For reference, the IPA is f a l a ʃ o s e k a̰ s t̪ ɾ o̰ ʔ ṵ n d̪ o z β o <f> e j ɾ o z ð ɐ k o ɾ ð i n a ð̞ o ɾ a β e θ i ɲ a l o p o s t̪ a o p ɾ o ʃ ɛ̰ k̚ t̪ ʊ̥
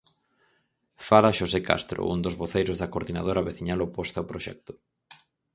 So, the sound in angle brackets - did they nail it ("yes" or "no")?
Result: no